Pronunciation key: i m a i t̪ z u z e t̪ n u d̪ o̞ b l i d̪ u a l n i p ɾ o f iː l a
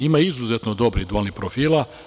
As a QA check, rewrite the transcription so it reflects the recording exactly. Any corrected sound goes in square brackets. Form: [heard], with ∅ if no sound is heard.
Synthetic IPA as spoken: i m a i [∅] z u z e t̪ n [o] d̪ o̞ b [ɾ] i d̪ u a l n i p ɾ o f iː l a